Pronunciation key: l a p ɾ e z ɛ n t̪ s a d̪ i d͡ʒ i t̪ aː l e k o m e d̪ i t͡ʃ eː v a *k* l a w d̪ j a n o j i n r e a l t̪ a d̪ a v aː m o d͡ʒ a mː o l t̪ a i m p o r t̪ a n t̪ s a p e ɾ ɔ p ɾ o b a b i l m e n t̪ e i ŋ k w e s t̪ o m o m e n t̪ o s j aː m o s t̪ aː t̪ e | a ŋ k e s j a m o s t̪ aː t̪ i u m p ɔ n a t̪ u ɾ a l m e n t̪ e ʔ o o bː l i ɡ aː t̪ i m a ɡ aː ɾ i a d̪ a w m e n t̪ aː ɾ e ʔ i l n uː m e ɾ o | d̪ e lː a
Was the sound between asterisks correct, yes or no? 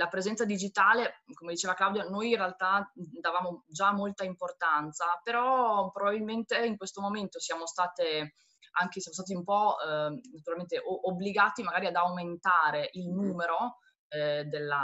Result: yes